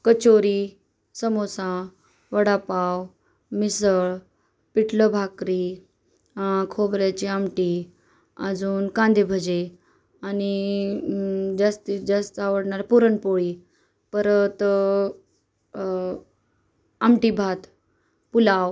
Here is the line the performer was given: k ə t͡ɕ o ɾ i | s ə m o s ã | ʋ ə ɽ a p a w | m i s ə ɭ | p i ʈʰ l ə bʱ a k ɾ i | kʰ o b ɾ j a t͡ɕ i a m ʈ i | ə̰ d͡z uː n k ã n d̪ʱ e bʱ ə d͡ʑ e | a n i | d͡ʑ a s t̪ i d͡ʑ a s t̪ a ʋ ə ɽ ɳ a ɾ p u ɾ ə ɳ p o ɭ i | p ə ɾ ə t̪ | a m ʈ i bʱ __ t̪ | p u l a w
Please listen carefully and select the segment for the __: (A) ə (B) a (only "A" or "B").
B